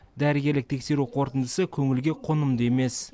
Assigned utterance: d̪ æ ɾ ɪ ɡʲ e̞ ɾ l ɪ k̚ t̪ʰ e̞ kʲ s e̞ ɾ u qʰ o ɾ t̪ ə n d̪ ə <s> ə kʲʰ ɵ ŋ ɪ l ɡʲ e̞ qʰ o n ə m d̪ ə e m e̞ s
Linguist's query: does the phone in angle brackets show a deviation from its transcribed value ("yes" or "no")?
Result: no